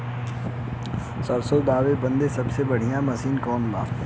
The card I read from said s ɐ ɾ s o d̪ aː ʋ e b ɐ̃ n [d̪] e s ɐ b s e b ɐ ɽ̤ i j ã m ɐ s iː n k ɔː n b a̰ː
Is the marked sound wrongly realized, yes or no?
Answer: no